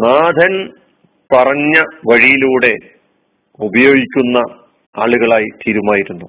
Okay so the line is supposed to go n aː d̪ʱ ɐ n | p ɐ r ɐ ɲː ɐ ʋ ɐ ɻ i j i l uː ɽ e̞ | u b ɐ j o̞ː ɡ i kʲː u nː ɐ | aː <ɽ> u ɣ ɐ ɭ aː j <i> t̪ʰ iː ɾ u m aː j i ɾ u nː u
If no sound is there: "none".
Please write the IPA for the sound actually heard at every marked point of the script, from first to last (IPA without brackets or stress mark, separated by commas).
ɭ, i